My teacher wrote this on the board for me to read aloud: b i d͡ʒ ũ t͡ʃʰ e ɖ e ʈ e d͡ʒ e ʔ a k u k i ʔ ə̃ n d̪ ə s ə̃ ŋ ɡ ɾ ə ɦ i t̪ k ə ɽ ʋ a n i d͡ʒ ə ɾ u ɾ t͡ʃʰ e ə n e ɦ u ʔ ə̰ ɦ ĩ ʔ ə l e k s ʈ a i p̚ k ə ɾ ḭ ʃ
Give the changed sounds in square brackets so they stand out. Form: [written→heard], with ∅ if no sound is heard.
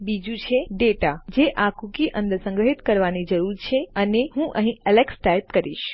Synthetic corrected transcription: b i d͡ʒ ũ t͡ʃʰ e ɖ e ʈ [e→a] d͡ʒ e ʔ a k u k i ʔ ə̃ n d̪ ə s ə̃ ŋ ɡ ɾ ə ɦ i t̪ k ə [ɽ→ɾ] ʋ a n i d͡ʒ ə ɾ u ɾ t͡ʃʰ e ə n e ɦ [u→ũ] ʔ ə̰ ɦ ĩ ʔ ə l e k s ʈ a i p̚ k ə ɾ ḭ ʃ

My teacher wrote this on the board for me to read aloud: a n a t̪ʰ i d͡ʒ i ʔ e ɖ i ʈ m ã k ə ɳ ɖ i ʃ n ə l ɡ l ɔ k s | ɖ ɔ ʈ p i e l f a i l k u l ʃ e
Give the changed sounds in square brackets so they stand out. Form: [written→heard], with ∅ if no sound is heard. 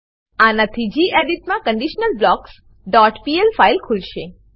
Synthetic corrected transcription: a n a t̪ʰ i d͡ʒ i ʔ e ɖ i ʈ m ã k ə ɳ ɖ i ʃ n ə l [ɡ→b] l ɔ k s | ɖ ɔ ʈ p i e l f a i l [k→kʰ] u l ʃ e

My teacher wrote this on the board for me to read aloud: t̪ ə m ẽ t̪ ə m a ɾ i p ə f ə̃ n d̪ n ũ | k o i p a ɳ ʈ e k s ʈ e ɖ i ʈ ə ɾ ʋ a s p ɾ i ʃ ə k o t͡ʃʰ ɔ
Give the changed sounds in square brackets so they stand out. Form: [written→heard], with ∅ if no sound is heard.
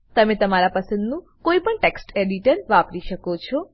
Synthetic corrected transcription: t̪ ə m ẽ t̪ ə m a ɾ [i→a] p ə [f→s] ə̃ n d̪ n ũ | k o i p [a→ə] ɳ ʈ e k s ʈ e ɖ i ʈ ə ɾ ʋ a [s→∅] p ɾ i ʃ ə k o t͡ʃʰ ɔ

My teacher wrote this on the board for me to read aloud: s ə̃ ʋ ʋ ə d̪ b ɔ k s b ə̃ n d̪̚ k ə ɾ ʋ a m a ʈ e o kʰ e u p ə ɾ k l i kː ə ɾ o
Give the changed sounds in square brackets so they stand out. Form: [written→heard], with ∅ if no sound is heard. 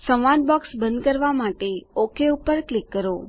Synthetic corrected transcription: s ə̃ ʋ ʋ [ə→a] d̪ b ɔ k s b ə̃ n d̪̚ k ə ɾ ʋ a m a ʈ e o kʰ e u p ə ɾ k l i kː ə ɾ o

